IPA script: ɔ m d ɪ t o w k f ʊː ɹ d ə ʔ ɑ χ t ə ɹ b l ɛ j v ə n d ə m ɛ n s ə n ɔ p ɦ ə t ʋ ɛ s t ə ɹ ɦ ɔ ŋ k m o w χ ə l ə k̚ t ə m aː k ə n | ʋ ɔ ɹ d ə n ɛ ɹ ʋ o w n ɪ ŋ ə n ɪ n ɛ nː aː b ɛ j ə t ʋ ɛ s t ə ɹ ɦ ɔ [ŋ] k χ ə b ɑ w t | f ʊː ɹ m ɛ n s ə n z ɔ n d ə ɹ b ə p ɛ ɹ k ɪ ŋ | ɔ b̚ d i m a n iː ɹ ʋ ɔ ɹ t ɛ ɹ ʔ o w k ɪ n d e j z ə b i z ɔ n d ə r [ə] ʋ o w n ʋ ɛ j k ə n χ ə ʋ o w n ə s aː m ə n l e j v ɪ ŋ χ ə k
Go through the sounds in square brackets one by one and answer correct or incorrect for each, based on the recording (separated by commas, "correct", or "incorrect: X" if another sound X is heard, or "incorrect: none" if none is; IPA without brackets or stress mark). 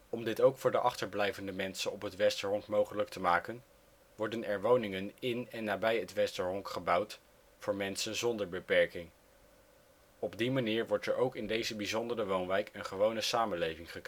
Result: correct, correct